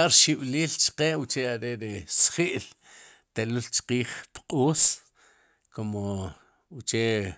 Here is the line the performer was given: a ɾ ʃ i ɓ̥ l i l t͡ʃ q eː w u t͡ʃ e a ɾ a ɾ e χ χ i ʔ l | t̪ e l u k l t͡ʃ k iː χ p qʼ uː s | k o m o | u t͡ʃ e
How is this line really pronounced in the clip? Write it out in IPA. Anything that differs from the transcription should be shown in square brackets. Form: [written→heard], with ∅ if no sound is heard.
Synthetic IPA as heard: a ɾ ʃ i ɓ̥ l [i→iː] l t͡ʃ q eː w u t͡ʃ e a ɾ [a→e] ɾ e [χ→s] χ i ʔ l | t̪ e l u [k→∅] l t͡ʃ [k→q] iː χ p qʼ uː s | k o m o | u t͡ʃ e

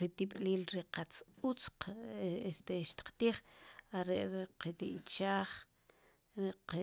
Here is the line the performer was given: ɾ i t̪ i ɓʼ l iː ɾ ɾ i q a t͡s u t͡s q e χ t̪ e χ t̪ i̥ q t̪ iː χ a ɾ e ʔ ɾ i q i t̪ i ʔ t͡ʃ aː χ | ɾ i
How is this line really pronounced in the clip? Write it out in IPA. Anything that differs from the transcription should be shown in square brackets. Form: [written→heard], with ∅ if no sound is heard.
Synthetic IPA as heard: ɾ i t̪ i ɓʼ l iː [ɾ→l] ɾ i q a t͡s u t͡s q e [χ→s] t̪ e [χ→ʃ] t̪ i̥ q t̪ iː χ a ɾ e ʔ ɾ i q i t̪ i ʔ t͡ʃ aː χ | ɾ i

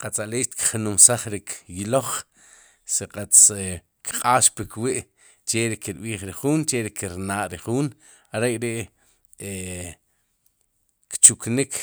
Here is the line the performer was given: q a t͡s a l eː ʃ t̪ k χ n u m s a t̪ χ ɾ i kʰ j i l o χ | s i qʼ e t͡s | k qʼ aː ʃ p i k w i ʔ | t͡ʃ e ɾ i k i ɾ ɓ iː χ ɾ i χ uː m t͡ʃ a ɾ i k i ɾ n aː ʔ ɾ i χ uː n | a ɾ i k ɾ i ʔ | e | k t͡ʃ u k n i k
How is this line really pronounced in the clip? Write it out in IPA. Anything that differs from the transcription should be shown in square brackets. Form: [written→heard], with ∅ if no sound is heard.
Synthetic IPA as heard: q a t͡s a l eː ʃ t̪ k χ n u m s a [t̪→∅] χ ɾ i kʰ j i l o χ | s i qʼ [e→a] t͡s | k qʼ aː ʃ p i k w i ʔ | t͡ʃ e ɾ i k i ɾ ɓ iː χ ɾ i χ uː [m→n] t͡ʃ [a→e] ɾ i k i ɾ n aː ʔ ɾ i χ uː n | a ɾ [i→e] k ɾ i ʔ | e | k t͡ʃ u k n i k

